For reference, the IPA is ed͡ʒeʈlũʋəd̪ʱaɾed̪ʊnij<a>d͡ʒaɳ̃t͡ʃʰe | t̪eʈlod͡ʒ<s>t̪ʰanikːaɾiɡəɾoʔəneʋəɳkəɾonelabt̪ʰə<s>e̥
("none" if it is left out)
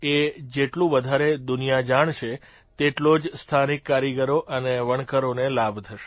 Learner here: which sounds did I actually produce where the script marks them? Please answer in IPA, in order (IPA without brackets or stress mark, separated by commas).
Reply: a, s, ʃ